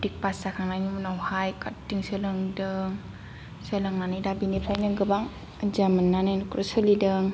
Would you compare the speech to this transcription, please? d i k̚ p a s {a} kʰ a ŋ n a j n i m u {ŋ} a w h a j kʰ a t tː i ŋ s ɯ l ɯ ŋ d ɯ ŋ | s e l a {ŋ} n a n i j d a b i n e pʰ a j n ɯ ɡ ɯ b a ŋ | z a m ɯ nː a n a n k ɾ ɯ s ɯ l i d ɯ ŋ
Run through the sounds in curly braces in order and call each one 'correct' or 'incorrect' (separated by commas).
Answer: correct, incorrect, correct